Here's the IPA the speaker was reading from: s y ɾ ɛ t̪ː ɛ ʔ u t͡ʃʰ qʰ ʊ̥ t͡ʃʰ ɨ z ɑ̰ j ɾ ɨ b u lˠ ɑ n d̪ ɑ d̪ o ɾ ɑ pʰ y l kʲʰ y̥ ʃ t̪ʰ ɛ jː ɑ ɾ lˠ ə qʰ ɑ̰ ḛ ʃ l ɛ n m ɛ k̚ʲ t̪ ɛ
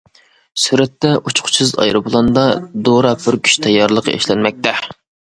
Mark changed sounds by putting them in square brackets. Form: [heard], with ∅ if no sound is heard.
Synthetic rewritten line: s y ɾ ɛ t̪ː ɛ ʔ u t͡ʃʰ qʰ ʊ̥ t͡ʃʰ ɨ z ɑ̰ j ɾ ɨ b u lˠ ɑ n d̪ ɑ d̪ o ɾ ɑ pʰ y [ɾ] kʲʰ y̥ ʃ t̪ʰ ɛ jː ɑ ɾ lˠ ə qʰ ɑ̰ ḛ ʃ l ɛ n m ɛ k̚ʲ t̪ ɛ

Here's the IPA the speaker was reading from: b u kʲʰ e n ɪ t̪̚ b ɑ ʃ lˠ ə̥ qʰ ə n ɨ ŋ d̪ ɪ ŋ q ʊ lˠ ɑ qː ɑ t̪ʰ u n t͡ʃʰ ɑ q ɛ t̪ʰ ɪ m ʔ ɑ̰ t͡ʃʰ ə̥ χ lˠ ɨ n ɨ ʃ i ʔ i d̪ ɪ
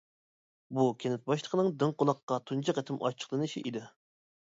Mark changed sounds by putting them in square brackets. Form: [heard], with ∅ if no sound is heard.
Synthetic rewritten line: b u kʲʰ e n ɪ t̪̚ b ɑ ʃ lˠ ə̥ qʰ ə n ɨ ŋ d̪ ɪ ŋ q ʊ lˠ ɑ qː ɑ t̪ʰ u n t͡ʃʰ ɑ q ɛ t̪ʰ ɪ m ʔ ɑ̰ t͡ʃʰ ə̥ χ lˠ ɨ n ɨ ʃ i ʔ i d̪ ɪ

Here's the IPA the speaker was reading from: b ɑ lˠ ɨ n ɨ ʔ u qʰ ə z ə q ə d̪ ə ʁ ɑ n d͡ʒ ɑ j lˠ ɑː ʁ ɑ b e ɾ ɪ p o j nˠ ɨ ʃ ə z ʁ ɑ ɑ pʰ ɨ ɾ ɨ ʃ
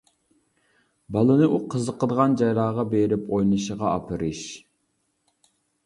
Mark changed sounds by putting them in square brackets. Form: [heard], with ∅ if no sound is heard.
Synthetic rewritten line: b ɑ lˠ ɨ n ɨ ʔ u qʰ ə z ə q ə d̪ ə ʁ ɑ n d͡ʒ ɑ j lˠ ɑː ʁ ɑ b e ɾ ɪ p o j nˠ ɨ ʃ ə [∅] ʁ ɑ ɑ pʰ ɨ ɾ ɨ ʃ

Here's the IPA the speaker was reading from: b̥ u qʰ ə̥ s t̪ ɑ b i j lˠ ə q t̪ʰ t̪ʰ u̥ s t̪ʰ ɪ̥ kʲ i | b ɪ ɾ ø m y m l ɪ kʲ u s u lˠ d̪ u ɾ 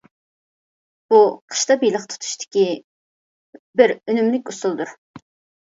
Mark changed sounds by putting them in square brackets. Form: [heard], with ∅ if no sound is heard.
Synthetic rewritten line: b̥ u qʰ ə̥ [ʃ] t̪ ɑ b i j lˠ ə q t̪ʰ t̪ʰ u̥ [ʃ] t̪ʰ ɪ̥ kʲ i | b ɪ ɾ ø [n] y m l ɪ kʲ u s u lˠ d̪ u ɾ

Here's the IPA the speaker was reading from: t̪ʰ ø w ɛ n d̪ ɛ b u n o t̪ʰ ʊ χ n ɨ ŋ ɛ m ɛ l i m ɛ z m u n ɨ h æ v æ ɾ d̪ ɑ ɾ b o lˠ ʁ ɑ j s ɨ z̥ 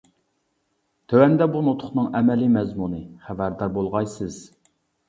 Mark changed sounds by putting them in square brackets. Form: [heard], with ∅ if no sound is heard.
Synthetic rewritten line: t̪ʰ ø w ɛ n d̪ ɛ b u n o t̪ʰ ʊ χ n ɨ ŋ ɛ m ɛ l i m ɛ z m u n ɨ [χ] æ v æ ɾ d̪ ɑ ɾ b o lˠ ʁ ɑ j s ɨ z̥

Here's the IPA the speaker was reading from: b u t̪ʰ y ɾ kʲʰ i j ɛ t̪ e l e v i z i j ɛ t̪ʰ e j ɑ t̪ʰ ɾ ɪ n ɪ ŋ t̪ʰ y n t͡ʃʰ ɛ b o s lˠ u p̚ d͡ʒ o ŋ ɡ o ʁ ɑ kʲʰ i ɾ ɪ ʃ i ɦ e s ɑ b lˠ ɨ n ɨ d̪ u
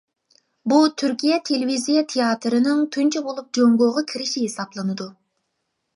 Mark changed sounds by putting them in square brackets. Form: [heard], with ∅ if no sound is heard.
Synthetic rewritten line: b u t̪ʰ y ɾ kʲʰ i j ɛ [t̪ʰ] e l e v i z i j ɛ t̪ʰ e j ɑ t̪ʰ ɾ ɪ n ɪ ŋ t̪ʰ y n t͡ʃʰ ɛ b o [∅] lˠ u p̚ d͡ʒ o ŋ ɡ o ʁ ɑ kʲʰ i ɾ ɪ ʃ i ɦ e s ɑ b lˠ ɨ n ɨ d̪ u

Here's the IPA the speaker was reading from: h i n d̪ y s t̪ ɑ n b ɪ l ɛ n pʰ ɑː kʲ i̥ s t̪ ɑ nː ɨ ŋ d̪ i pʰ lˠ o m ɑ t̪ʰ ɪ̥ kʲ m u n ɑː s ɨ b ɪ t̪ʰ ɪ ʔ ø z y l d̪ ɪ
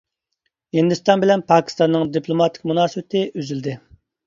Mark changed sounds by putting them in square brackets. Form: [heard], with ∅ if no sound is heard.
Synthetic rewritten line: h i n d̪ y s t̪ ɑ n b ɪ l ɛ n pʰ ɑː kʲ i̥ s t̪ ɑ nː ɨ ŋ d̪ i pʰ lˠ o m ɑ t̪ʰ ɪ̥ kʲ m u n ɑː s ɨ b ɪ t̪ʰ ɪ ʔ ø z y l d̪ ɪ

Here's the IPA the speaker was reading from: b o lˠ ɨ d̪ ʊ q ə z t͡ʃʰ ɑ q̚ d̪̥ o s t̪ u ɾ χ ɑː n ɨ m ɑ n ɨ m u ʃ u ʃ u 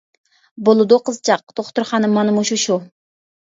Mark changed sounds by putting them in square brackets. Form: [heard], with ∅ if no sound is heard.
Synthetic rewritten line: b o lˠ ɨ d̪ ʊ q ə z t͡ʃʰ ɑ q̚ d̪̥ o [χ] t̪ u ɾ χ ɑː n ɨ m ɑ n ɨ m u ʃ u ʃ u

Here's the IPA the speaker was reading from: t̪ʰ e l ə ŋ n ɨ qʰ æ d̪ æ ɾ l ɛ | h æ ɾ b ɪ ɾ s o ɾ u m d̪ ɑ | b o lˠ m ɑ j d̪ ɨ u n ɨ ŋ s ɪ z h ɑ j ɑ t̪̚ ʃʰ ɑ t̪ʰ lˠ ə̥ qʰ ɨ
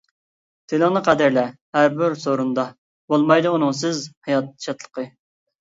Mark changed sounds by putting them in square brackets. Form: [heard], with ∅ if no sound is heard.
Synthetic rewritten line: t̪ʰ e l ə ŋ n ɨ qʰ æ d̪ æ ɾ l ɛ | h æ ɾ b ɪ ɾ s o ɾ u [n] d̪ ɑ | b o lˠ m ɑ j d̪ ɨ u n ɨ ŋ s ɪ z h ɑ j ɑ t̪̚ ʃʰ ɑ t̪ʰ lˠ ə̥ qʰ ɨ

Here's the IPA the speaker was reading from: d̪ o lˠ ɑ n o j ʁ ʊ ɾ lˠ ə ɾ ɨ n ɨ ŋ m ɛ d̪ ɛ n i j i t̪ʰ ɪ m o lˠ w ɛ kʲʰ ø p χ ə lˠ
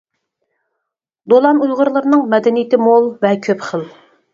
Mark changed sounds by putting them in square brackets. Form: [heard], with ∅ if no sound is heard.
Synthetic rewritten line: d̪ o lˠ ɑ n [u] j ʁ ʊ ɾ lˠ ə ɾ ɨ n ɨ ŋ m ɛ d̪ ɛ n i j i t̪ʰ ɪ m o lˠ [v] ɛ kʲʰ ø p χ ə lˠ

